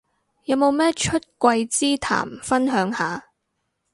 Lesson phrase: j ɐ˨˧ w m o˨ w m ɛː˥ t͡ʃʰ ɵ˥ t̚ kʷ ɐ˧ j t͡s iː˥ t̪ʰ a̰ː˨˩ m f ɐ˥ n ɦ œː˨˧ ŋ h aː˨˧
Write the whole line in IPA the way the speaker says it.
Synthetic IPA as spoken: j ɐ˨˧ w m o˨ w m ɛː˥ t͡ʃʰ ɵ˥ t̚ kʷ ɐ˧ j t͡s iː˥ t̪ʰ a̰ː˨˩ m f ɐ˥ n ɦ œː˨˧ ŋ h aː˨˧

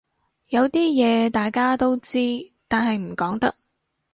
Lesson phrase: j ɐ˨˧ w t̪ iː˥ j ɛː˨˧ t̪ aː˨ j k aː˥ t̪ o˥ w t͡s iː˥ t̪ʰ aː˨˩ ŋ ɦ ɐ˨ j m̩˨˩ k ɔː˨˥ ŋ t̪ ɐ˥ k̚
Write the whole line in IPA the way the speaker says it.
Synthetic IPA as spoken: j ɐ˨˧ w t̪ iː˥ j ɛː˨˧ t̪ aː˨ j k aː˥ t̪ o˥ w t͡s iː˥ t̪ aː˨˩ n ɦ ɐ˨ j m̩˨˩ k ɔː˨˥ ŋ t̪ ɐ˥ k̚

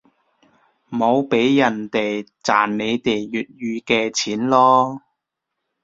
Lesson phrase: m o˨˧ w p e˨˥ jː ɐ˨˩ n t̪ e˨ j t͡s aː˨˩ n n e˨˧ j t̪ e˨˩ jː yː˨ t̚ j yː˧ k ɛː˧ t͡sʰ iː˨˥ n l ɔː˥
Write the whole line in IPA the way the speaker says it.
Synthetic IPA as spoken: m o˨˧ w p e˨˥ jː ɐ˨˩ n t̪ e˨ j t͡s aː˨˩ n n e˨˧ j t̪ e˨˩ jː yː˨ t̚ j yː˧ k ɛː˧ t͡sʰ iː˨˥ n l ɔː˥

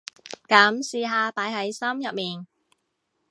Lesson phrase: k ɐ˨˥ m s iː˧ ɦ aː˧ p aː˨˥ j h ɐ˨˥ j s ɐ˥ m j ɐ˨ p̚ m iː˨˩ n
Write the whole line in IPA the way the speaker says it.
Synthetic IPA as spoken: k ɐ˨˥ m s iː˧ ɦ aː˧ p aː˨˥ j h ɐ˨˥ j s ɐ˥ m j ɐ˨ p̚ m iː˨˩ n

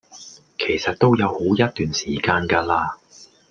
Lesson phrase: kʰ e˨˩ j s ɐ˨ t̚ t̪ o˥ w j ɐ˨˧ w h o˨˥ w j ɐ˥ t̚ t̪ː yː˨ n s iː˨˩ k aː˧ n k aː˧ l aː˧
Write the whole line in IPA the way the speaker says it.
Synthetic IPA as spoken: kʰ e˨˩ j s ɐ˨ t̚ t̪ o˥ w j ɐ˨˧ w h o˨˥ w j ɐ˥ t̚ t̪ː yː˨ n s iː˨˩ k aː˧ n k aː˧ l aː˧

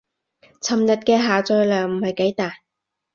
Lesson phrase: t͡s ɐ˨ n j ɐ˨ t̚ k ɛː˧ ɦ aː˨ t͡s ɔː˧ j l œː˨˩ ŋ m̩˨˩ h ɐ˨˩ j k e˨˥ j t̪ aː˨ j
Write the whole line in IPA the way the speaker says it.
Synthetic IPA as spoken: t͡sʰ ɐ˨ m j ɐ˨ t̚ k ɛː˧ ɦ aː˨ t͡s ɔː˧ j l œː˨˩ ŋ m̩˨˩ h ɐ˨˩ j k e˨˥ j t̪ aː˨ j

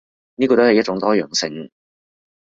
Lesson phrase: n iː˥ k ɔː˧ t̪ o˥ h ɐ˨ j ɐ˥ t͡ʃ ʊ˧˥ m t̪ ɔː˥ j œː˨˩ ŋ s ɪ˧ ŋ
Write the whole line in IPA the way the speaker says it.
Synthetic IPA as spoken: n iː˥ k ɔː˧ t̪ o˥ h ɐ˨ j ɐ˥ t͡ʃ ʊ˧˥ ŋ t̪ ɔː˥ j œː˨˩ ŋ s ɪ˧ ŋ

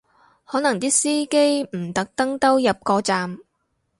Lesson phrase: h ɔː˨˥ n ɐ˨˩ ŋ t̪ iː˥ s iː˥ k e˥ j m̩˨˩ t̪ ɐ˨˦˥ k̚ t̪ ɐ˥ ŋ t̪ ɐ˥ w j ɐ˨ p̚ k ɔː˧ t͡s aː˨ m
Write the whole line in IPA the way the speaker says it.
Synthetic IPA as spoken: h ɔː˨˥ n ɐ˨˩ ŋ t̪ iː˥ s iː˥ k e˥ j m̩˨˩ t̪ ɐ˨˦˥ k̚ t̪ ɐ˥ ŋ t̪ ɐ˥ w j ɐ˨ p̚ k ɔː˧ t͡s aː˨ m

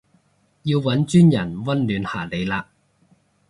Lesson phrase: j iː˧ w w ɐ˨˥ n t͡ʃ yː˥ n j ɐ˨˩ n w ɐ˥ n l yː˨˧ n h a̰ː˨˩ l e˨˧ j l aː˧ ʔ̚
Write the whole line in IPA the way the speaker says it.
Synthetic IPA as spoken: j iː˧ w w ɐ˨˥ n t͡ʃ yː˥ n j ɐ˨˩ n w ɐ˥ n l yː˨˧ n h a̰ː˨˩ l e˨˧ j l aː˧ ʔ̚

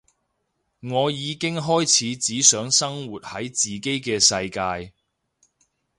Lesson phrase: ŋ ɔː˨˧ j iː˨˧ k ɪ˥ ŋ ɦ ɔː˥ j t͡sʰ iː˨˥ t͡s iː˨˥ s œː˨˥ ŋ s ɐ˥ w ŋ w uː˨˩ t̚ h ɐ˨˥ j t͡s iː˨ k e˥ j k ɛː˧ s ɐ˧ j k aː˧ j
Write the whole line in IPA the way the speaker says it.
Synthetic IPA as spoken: ŋ ɔː˨˧ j iː˨˧ k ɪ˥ ŋ ɦ ɔː˥ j t͡sʰ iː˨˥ t͡s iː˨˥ s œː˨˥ ŋ s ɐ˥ ŋ w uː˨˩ t̚ h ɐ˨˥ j t͡s iː˨ k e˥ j k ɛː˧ s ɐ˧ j k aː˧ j

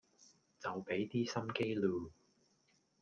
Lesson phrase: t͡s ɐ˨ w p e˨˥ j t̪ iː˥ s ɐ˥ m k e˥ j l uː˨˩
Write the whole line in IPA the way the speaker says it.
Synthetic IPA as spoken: t͡s ɐ˨ w p e˨˥ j t̪ iː˥ s ɐ˥ m k e˥ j l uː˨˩

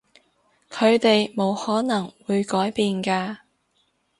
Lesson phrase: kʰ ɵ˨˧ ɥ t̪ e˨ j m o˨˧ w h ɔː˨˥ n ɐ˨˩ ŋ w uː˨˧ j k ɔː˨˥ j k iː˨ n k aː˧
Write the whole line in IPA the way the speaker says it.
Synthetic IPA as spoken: kʰ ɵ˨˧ ɥ t̪ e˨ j m o˨˧ w h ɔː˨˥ n ɐ˨˩ ŋ w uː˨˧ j k ɔː˨˥ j p iː˨ n k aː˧

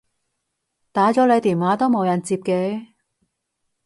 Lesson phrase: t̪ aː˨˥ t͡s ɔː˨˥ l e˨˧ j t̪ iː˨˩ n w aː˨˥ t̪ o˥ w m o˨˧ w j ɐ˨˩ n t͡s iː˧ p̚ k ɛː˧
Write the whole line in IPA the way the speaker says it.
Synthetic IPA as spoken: t̪ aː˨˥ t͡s ɔː˨˥ l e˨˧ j t̪ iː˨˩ n w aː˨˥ t̪ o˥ w m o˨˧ w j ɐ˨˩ n t͡s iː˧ p̚ k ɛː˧

